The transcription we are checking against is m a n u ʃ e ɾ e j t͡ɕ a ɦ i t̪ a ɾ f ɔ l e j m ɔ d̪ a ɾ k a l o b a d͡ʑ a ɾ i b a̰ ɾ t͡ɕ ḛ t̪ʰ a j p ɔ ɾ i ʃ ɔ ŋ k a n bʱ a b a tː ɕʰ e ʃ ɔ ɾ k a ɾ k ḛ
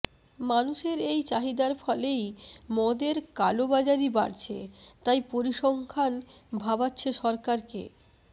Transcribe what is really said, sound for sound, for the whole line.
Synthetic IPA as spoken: m a n u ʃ e ɾ e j t͡ɕ a ɦ i d̪ a ɾ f ɔ l e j m ɔ d̪ e ɾ k a l o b a d͡ʑ a ɾ i b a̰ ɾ t͡ɕʰ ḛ t̪ a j p o ɾ i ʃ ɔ ŋ kʰ a n bʱ a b a tː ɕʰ e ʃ ɔ ɾ k a ɾ k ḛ